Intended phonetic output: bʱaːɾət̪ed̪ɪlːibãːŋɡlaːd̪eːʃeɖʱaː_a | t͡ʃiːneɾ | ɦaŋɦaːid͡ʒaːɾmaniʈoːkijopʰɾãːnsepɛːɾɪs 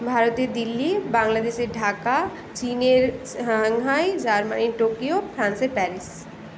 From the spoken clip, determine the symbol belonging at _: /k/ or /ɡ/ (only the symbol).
k